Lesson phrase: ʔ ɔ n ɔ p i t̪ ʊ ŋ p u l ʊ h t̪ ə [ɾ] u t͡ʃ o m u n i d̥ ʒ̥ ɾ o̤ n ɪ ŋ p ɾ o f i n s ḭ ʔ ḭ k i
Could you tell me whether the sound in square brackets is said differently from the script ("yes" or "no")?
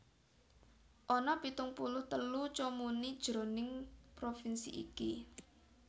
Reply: yes